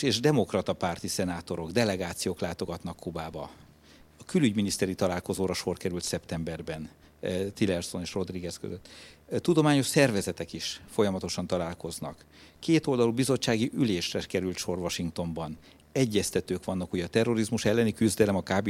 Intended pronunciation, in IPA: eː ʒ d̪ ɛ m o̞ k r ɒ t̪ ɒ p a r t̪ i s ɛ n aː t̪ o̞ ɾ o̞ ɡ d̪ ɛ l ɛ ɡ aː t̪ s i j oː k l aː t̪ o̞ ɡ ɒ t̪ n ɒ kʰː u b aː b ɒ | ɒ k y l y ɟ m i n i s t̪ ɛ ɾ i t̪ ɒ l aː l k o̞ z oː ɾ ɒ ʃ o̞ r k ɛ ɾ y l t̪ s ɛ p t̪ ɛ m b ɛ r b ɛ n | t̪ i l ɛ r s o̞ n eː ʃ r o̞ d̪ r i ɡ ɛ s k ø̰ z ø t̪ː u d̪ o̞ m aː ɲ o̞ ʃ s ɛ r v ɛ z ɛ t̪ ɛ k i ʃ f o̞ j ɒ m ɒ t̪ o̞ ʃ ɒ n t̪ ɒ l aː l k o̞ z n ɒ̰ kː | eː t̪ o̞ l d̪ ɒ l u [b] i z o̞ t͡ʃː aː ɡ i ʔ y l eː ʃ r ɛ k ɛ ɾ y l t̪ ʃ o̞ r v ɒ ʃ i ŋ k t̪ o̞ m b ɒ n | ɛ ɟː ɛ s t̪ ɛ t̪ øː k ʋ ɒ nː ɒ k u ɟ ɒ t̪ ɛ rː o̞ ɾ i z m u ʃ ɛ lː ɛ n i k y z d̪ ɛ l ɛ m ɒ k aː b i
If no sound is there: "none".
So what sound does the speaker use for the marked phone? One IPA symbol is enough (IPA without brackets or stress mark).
b